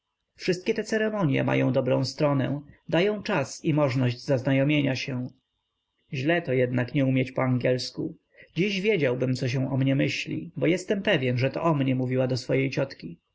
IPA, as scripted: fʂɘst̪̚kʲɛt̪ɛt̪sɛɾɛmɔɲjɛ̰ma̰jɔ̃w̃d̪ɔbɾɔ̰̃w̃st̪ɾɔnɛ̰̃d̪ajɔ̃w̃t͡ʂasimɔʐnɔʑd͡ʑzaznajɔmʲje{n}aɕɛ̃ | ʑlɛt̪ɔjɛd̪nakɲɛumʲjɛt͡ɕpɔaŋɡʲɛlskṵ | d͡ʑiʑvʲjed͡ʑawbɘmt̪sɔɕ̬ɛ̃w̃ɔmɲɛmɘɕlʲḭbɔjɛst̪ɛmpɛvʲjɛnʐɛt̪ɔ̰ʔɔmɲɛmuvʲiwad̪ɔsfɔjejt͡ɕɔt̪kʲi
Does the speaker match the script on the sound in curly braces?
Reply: no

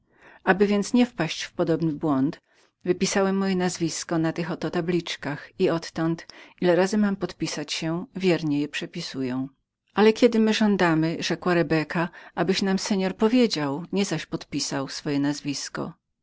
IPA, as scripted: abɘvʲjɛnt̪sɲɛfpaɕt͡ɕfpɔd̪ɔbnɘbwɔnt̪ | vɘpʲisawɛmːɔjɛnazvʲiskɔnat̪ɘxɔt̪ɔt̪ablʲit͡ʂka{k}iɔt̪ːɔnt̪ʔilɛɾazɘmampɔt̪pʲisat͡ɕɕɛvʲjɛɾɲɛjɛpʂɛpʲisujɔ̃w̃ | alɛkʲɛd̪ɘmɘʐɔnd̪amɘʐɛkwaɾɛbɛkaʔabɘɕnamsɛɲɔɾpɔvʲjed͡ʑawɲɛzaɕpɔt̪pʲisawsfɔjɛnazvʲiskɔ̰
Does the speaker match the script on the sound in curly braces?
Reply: no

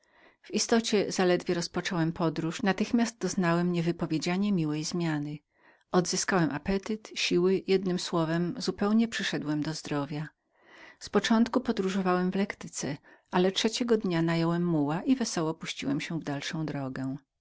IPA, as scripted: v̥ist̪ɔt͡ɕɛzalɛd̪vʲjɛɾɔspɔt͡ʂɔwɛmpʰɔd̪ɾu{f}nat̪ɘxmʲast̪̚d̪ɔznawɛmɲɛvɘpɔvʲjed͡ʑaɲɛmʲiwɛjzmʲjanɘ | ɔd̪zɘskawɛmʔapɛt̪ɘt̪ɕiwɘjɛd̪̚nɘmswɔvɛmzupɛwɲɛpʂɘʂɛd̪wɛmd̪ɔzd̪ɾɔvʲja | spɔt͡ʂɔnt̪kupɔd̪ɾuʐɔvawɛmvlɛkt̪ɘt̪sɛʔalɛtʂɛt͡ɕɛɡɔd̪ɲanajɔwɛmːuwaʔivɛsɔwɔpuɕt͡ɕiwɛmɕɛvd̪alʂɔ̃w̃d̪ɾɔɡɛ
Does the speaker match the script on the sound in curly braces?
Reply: no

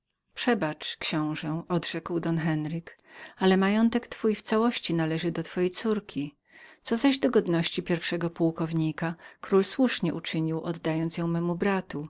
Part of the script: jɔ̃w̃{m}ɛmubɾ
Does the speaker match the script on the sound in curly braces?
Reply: yes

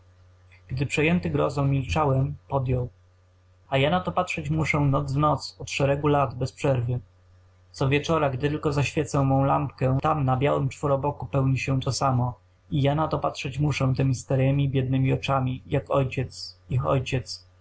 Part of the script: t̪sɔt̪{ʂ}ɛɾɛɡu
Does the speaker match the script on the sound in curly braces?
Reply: yes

